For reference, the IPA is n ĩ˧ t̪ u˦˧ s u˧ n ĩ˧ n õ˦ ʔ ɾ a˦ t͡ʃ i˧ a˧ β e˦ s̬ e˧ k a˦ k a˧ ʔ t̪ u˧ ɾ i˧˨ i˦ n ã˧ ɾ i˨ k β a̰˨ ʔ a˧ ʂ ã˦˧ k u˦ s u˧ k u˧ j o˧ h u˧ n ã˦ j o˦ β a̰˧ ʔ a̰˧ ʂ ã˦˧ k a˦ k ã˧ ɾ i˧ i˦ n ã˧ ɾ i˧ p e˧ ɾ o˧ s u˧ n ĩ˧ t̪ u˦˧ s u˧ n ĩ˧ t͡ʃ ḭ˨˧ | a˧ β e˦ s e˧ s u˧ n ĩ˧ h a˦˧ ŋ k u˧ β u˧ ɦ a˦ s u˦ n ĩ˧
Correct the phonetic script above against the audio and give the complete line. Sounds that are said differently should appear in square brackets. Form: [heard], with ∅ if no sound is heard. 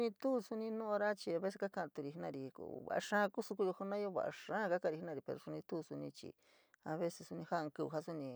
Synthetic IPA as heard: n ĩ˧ t̪ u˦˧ s u˧ n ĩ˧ n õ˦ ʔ ɾ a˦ t͡ʃ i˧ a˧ β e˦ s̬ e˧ k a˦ k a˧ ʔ t̪ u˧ ɾ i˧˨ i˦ n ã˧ ɾ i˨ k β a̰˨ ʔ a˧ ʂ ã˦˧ k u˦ s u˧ k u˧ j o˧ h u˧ n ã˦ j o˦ β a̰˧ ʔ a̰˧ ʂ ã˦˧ k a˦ k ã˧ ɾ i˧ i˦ n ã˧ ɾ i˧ p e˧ ɾ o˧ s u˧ n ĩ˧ t̪ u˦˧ s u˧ n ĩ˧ t͡ʃ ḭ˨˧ | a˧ β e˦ s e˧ s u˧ n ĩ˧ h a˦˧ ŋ k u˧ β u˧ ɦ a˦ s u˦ n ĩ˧

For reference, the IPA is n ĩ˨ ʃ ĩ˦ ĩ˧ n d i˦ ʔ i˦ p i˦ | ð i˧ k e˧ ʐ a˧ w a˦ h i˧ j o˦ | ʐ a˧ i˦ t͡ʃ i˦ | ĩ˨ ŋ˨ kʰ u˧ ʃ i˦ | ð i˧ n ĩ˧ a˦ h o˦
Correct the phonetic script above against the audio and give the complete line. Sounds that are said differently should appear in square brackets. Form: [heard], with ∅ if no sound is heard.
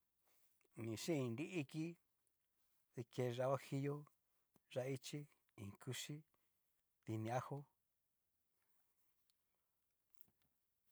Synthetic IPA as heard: n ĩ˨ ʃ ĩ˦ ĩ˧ n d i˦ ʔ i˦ [k] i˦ | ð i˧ k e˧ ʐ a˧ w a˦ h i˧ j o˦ | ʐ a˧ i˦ t͡ʃ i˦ | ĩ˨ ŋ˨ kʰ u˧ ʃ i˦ | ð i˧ n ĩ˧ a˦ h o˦

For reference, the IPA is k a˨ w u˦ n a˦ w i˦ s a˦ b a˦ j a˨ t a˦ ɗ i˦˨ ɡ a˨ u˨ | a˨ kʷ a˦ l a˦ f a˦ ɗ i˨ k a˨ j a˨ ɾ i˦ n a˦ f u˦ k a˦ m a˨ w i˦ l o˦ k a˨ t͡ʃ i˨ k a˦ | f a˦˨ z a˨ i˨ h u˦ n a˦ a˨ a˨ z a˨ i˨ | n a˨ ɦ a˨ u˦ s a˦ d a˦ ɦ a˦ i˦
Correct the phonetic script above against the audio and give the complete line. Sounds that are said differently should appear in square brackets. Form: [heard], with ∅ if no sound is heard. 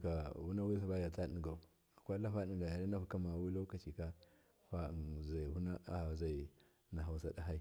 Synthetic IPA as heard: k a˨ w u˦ n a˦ w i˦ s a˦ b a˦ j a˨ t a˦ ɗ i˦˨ ɡ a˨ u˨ | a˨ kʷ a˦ l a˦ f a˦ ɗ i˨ [ɡ] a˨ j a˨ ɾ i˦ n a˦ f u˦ k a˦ m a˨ w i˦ l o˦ k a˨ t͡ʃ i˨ k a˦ | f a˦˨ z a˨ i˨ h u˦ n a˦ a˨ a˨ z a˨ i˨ | n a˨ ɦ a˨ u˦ s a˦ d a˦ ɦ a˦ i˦

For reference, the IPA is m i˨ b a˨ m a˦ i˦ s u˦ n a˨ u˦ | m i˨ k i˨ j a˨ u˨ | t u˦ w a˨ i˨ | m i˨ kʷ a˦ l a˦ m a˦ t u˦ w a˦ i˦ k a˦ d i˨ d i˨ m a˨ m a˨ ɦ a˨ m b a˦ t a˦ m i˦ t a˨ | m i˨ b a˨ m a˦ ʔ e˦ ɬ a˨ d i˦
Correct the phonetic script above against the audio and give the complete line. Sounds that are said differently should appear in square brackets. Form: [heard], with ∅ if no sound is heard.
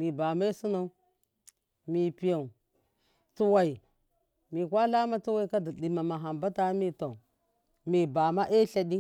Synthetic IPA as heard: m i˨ b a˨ m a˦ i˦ s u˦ n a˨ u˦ | m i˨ [p] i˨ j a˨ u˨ | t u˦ w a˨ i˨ | m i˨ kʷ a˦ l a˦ m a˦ t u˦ w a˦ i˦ k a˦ d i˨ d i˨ m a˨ m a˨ ɦ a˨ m b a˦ t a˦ m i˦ t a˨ | m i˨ b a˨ m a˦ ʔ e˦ ɬ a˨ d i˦

